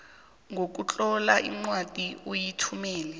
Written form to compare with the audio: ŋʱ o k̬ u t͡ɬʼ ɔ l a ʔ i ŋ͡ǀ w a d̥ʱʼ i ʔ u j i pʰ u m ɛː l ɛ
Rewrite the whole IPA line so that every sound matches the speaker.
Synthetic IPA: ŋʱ o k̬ u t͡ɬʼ ɔ l a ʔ i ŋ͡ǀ w a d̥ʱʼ i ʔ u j i tʰ u m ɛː l ɛ